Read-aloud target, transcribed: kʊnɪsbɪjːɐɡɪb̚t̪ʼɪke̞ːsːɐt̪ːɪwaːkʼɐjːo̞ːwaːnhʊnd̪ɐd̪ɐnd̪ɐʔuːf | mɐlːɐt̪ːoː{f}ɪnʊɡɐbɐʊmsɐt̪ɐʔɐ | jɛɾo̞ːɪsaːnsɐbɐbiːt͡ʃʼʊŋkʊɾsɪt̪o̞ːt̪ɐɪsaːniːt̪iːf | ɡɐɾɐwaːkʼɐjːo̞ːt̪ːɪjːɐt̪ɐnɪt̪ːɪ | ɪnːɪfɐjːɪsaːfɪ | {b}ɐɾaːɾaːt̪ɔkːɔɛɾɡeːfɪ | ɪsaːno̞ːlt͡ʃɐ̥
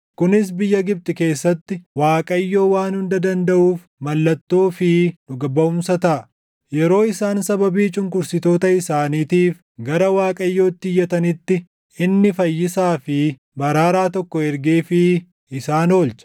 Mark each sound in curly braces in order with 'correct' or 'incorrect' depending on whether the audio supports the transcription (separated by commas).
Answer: correct, correct